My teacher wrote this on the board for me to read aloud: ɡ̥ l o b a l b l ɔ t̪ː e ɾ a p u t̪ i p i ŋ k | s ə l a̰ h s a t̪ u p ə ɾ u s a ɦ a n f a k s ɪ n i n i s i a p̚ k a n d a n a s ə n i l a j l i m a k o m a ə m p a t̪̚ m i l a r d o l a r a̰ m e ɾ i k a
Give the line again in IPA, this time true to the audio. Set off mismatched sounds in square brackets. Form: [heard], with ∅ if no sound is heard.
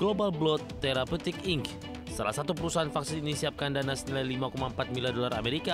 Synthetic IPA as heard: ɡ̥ l o b a l b l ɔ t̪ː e ɾ a p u t̪ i [k] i ŋ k | s [a] l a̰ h s a t̪ u p ə ɾ u s a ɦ a n f a k s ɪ n i n i s i a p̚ k a n d a n a s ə n i l a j l i m a k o m a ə m p a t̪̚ m i l a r d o l a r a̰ m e ɾ i k a

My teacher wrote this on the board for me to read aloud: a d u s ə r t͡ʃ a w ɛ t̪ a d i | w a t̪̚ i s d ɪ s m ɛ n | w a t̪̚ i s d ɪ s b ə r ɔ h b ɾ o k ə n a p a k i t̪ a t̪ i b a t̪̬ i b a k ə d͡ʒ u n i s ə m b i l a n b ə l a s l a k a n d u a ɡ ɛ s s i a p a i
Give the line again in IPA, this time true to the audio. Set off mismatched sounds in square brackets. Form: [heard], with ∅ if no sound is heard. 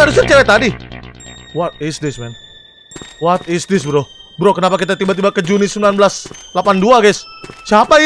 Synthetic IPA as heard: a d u s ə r t͡ʃ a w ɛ t̪ a d i | w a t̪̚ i s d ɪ s m ɛ n | w a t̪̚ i s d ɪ s b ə [ɾ] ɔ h b ɾ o k ə n a p a k i t̪ a t̪ i b a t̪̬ i b a k ə d͡ʒ u n i s ə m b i l a n b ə l a s l a [p] a n d u a ɡ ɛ s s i a p a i

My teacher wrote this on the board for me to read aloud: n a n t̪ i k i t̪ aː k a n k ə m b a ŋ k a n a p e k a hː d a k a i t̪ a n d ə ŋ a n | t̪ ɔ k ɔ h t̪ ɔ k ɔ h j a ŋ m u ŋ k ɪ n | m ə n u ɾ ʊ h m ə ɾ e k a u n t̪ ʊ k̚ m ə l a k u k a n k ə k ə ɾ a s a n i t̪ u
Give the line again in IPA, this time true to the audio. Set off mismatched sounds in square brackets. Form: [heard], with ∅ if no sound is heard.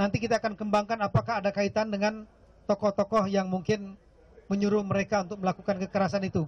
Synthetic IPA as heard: n a n t̪ i k i t̪ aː k a n k ə m b a ŋ k a n a p [a] k a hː d a k a i t̪ a n d ə ŋ a n | t̪ ɔ k ɔ h t̪ ɔ k ɔ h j a ŋ m u ŋ k ɪ n | m ə [ɲ] u ɾ ʊ h m ə ɾ e k a u n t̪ ʊ k̚ m ə l a k u k a n k ə k ə ɾ a s a n i t̪ u

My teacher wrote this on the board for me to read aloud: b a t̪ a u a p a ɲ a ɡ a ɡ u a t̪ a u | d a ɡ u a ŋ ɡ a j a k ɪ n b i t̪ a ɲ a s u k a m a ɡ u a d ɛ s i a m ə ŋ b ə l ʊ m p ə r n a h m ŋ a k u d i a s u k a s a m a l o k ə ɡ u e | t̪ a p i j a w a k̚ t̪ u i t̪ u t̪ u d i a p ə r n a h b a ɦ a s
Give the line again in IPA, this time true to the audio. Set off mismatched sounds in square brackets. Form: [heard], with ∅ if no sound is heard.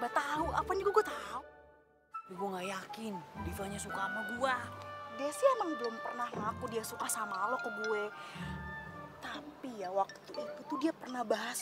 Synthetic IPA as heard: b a t̪ a u a p a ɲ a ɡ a ɡ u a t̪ a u | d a ɡ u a ŋ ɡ a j a k ɪ n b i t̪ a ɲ a s u k a m a ɡ u a d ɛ s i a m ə ŋ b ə l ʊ m p ə r n a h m ŋ a k u d i a s u k a s a m a l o k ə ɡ u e | t̪ a p i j a w a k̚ t̪ u i t̪ u t̪ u d i a p ə r n a h b a ɦ a s

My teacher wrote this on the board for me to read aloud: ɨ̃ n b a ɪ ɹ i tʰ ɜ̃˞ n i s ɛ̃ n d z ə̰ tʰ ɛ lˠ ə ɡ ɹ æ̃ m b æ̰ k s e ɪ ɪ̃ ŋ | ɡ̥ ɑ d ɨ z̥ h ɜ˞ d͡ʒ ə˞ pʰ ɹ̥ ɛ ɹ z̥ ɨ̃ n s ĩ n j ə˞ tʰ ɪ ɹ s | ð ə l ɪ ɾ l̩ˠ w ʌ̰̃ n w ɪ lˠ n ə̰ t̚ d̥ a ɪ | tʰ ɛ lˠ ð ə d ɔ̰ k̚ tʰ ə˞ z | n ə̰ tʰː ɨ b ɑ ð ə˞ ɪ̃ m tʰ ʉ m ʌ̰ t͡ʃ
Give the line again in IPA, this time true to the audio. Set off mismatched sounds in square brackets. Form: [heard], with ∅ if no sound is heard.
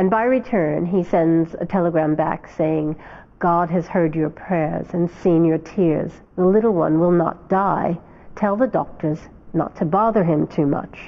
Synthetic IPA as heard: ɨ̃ n b a ɪ ɹ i tʰ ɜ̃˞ n i s ɛ̃ n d z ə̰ tʰ ɛ lˠ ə ɡ ɹ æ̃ m b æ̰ k s e ɪ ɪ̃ ŋ | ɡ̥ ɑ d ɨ z̥ h ɜ˞ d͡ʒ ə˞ pʰ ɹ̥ ɛ ɹ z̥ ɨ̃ n s ĩ n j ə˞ tʰ ɪ ɹ [z] | ð ə l ɪ ɾ l̩ˠ w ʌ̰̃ n w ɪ lˠ n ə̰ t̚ d̥ a ɪ | tʰ ɛ lˠ ð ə d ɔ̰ k̚ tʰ ə˞ z | n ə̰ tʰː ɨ b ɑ ð ə˞ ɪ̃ m tʰ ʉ m ʌ̰ t͡ʃ

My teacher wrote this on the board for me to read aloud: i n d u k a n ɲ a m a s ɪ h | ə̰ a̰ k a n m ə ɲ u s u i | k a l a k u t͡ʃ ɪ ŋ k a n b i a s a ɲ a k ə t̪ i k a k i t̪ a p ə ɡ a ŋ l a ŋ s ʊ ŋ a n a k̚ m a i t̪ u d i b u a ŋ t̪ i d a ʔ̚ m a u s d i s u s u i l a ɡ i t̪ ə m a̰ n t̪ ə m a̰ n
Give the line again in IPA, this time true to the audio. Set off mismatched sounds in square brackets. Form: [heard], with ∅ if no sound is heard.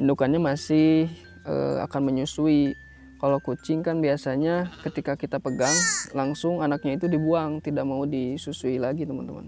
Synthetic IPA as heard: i n d u k a n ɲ a m a s ɪ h | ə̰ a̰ k a n m ə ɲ u s u i | k a l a k u t͡ʃ ɪ ŋ k a n b i a s a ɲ a k ə t̪ i k a k i t̪ a p ə ɡ a ŋ l a ŋ s ʊ ŋ a n a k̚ [ɲ] a i t̪ u d i b u a ŋ t̪ i d a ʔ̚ m a u [∅] d i s u s u i l a ɡ i t̪ ə m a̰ n t̪ ə m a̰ n

